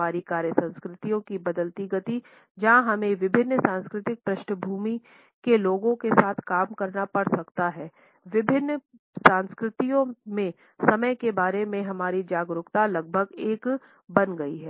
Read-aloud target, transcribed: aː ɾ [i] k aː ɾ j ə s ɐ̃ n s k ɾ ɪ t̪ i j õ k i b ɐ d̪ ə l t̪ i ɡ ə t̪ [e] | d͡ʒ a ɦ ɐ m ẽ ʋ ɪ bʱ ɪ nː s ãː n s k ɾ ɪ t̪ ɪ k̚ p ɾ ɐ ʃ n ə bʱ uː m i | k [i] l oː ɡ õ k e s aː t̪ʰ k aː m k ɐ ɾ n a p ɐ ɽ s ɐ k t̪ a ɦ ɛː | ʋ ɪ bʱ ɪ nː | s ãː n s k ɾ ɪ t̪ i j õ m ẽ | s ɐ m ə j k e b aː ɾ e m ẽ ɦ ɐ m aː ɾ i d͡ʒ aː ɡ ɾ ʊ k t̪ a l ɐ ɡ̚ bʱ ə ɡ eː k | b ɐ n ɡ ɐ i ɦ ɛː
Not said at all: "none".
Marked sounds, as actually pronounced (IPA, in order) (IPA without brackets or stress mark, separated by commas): i, i, e